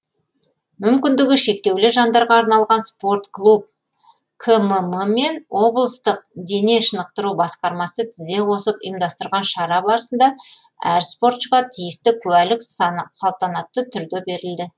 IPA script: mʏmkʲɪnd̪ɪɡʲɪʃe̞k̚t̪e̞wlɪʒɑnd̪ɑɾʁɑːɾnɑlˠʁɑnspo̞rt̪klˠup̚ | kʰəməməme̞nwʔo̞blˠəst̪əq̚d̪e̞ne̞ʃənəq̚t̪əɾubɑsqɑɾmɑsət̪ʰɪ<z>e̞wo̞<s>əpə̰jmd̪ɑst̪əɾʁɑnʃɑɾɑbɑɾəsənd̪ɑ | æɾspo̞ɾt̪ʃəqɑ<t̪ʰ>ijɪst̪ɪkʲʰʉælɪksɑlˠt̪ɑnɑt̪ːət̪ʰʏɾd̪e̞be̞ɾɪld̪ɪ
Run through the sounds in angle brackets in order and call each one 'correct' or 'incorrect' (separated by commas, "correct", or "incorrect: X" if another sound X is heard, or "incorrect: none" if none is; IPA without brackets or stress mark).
correct, correct, correct